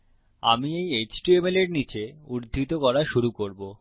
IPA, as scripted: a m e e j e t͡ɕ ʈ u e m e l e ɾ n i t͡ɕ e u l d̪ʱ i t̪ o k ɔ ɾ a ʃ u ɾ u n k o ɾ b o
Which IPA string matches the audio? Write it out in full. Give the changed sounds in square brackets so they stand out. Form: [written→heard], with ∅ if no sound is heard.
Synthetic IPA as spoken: a m [e→i] e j e t͡ɕ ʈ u e m e l e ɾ n i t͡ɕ e u [l→ɾ] d̪ʱ i t̪ o k ɔ ɾ a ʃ u ɾ u [n→∅] k o ɾ b o